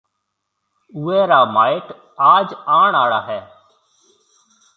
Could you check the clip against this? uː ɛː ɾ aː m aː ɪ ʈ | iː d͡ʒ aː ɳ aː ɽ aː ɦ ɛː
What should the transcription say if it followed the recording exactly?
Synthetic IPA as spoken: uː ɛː ɾ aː m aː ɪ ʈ | aː d͡ʒ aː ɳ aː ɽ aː ɦ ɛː